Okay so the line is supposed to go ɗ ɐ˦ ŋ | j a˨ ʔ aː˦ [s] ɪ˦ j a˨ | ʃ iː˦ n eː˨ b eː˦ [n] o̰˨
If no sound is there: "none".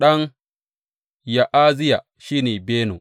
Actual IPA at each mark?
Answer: z, n

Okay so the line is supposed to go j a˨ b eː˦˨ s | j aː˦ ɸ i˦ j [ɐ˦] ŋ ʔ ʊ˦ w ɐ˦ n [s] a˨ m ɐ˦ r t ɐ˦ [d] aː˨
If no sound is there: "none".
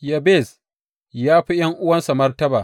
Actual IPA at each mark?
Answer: ɐ˦, s, b

